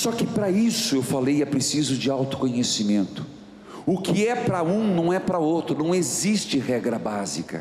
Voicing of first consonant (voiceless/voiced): voiceless